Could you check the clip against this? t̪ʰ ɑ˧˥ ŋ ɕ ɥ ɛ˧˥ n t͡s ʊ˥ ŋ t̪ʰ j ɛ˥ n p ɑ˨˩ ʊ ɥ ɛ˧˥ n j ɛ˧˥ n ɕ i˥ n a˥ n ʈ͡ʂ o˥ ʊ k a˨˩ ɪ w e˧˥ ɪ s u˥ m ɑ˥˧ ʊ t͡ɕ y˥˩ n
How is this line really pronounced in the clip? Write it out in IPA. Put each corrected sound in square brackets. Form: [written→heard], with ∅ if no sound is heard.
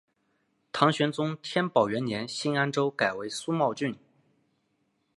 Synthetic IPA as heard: t̪ʰ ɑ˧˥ ŋ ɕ ɥ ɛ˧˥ n t͡s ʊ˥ ŋ t̪ʰ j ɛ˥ n p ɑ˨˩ ʊ ɥ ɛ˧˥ n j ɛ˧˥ n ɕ i˥ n a˥ n ʈ͡ʂ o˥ ʊ k a˨˩ ɪ w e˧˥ ɪ s u˥ m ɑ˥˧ ʊ t͡ɕ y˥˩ n